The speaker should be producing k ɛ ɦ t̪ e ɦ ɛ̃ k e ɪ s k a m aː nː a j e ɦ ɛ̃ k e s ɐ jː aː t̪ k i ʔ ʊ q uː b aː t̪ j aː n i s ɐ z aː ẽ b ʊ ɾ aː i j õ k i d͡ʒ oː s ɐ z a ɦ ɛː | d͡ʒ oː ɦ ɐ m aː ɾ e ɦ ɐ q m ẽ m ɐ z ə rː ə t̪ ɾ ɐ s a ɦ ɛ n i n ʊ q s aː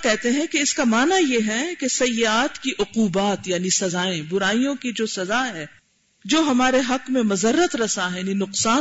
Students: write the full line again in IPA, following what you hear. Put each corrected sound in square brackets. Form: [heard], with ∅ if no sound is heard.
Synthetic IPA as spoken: k ɛ ɦ t̪ e ɦ ɛ̃ k e ɪ s k a m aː [n] a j e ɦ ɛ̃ k e s ɐ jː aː t̪ k i ʔ ʊ q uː b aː t̪ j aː n i s ɐ z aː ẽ b ʊ ɾ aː i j õ k i d͡ʒ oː s ɐ z a ɦ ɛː | d͡ʒ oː ɦ ɐ m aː ɾ e ɦ ɐ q m ẽ m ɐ z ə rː ə t̪ ɾ ɐ s a ɦ ɛ n i n ʊ q s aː